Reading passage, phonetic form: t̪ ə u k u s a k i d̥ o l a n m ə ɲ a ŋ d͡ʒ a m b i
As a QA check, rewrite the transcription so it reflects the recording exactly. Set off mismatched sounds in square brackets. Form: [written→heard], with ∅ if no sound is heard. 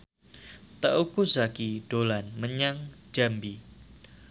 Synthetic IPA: t̪ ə u k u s a k i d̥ o l a n m ə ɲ a ŋ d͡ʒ a m b i